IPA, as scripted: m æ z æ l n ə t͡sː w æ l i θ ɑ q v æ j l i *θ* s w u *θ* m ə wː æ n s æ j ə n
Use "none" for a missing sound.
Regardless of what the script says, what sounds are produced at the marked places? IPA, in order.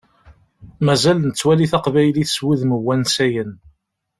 θ, ð

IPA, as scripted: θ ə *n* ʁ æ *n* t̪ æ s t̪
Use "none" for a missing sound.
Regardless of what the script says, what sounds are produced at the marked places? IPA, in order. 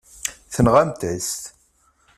n, m

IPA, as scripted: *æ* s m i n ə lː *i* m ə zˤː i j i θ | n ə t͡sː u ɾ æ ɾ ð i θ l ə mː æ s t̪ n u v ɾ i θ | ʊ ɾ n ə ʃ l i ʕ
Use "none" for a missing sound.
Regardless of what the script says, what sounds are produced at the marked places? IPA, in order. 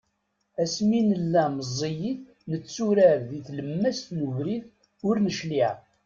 æ, æ

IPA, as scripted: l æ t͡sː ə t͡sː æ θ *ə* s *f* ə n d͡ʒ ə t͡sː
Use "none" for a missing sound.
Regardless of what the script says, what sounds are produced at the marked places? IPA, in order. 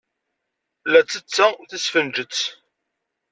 ə, f

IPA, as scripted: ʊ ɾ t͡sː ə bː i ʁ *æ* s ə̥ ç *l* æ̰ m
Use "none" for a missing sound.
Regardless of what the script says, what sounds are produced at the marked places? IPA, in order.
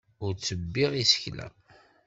i, l

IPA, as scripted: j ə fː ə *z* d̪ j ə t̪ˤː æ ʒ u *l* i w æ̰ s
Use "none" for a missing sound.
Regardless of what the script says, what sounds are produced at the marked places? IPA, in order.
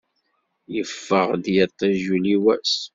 ʁ, l

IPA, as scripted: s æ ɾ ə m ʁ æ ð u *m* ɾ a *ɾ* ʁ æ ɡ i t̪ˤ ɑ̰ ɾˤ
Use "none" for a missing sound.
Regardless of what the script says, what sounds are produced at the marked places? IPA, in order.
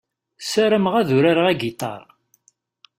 none, ɾ

